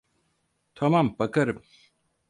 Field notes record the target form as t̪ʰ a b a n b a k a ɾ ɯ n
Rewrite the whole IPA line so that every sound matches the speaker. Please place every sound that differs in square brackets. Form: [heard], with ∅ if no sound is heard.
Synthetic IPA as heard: t̪ʰ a [m] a [m] b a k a ɾ ɯ [m]